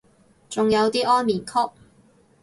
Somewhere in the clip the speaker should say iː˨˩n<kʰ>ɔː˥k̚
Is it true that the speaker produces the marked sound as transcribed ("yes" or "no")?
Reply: yes